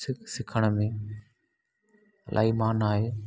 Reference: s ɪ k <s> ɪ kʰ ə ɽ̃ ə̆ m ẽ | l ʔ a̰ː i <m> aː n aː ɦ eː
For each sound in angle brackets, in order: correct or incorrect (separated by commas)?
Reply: correct, correct